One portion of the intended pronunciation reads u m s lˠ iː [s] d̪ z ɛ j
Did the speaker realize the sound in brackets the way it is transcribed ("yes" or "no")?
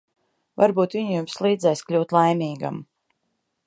no